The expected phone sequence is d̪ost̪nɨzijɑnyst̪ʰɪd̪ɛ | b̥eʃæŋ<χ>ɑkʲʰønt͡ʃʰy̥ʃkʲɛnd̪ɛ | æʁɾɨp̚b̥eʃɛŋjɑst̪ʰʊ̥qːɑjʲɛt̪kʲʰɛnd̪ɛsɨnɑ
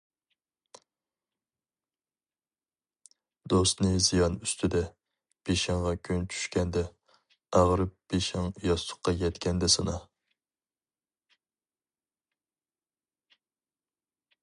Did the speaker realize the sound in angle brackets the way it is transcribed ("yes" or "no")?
no